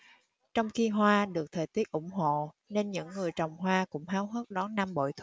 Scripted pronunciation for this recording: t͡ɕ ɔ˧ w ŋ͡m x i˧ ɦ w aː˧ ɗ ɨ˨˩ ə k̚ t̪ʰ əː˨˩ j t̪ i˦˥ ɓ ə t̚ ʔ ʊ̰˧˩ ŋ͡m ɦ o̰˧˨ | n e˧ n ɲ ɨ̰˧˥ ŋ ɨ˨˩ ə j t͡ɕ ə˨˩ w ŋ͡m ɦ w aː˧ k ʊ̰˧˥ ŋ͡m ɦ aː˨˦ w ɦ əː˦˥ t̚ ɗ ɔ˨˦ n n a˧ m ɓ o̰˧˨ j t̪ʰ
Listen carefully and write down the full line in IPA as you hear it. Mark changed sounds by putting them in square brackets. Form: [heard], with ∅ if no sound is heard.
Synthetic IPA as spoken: t͡ɕ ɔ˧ w ŋ͡m x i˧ ɦ w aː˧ ɗ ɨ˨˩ ə k̚ t̪ʰ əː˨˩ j t̪ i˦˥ [∅] ə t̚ ʔ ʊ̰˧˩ ŋ͡m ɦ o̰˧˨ | n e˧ n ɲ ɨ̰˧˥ [ŋː] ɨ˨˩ ə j t͡ɕ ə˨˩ w ŋ͡m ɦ w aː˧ k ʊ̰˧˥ ŋ͡m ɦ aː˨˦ w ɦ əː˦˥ t̚ ɗ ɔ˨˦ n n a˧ m ɓ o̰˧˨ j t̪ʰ

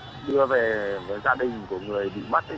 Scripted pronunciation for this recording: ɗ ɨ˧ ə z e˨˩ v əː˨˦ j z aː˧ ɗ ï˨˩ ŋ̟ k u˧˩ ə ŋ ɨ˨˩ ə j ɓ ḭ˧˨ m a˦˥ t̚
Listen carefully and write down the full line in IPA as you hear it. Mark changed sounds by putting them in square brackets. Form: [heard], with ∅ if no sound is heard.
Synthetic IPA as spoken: ɗ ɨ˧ ə [v] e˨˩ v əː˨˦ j z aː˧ ɗ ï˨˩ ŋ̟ k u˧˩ ə ŋ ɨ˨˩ ə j ɓ ḭ˧˨ m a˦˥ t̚

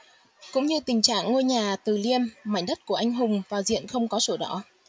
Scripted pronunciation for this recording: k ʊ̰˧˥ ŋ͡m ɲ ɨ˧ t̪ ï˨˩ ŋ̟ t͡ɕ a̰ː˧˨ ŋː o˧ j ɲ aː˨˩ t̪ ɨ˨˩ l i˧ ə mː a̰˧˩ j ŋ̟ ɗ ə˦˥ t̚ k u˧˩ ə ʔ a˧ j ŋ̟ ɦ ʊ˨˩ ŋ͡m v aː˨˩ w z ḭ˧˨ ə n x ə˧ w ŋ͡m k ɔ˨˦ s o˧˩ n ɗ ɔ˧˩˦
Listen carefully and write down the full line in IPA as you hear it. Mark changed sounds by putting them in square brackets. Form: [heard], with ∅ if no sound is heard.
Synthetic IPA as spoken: k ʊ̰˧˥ ŋ͡m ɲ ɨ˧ t̪ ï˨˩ ŋ̟ t͡ɕ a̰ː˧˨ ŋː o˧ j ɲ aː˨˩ t̪ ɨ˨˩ l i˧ ə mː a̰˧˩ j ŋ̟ ɗ ə˦˥ t̚ k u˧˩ ə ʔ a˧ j ŋ̟ ɦ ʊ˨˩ ŋ͡m v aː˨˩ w z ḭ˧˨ ə n x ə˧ w ŋ͡m k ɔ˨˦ s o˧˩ [∅] ɗ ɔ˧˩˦

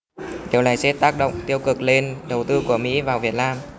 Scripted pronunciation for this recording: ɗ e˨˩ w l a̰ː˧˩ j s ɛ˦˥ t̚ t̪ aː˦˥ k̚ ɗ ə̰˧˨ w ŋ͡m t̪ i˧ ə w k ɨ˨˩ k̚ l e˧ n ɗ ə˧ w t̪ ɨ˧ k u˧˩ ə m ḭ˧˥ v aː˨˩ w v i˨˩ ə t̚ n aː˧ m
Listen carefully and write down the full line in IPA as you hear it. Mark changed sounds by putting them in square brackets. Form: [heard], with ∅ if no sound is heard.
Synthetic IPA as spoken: ɗ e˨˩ w l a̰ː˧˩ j s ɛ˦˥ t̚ t̪ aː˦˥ k̚ ɗ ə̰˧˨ w ŋ͡m t̪ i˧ ə w k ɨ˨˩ k̚ l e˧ n ɗ [ə˨˩] w t̪ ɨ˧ k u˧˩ ə m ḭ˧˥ v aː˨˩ w v i˨˩ ə t̚ n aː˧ m

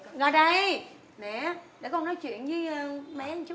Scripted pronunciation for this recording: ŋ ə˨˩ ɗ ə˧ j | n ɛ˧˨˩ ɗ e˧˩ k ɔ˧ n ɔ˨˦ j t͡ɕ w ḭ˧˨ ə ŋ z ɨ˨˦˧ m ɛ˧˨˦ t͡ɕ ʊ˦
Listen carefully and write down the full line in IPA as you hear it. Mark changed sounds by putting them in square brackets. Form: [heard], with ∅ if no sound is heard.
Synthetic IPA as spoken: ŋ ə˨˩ ɗ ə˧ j | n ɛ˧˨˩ ɗ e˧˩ k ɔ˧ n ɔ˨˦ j t͡ɕ w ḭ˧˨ ə [n] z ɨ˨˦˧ m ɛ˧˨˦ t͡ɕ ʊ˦

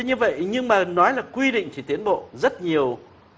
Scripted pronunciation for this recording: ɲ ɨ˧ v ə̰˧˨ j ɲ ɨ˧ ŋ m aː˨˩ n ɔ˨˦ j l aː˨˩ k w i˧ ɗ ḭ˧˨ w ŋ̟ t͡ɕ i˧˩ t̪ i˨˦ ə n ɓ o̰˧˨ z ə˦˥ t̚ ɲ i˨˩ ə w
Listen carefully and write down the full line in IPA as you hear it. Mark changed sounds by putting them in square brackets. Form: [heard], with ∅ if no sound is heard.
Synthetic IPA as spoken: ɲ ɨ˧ v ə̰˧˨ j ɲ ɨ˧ ŋ m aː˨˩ n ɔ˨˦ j l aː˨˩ k w i˧ ɗ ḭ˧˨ [∅] ŋ̟ t͡ɕ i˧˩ t̪ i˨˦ ə n ɓ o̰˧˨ z ə˦˥ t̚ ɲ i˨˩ ə w

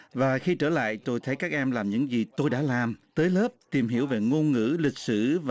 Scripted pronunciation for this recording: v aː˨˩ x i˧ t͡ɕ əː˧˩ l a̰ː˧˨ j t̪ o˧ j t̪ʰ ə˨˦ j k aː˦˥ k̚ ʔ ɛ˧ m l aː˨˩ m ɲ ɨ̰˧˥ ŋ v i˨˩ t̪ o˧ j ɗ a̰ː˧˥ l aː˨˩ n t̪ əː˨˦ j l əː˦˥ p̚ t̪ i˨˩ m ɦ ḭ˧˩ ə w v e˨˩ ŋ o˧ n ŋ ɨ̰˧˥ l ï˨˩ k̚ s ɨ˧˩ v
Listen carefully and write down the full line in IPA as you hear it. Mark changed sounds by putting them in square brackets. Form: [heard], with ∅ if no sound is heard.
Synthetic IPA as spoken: v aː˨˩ x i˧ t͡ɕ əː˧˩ l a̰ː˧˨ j t̪ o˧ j t̪ʰ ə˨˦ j k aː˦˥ k̚ ʔ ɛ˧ m l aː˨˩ m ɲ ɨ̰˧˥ ŋ [z] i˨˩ t̪ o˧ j ɗ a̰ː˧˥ l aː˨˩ [m] t̪ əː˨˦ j l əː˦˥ p̚ t̪ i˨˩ m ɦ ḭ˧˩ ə w v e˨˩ ŋ o˧ n ŋ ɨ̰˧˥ l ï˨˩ k̚ s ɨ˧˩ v

